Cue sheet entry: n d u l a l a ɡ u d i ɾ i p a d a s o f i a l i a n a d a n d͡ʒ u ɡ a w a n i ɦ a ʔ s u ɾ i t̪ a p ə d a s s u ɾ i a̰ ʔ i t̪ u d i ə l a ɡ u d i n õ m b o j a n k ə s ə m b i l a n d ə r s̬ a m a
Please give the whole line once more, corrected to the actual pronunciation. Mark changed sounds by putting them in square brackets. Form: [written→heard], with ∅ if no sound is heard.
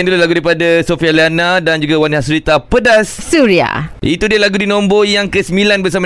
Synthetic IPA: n d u l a l a ɡ u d [i→a] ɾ i p a d a s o f i a l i a n a d a n d͡ʒ u ɡ a w a n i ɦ a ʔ s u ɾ i t̪ a p ə d a s s u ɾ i a̰ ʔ i t̪ u d i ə l a ɡ u d i n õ m b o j a [n→ŋ] k ə s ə m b i l a n [d→b] ə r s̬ a m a